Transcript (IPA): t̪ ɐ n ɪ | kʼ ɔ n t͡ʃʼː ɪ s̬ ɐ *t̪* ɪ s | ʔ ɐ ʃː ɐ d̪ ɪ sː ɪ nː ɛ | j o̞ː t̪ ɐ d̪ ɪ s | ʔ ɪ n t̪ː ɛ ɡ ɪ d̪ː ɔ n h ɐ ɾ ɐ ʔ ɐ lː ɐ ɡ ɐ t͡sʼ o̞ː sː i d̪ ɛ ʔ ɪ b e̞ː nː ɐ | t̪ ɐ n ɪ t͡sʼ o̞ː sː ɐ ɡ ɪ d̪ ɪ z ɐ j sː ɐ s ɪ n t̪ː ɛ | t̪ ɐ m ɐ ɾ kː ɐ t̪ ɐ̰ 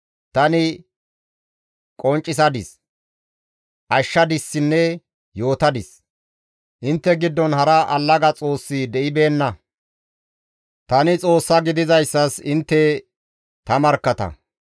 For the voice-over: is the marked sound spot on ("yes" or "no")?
no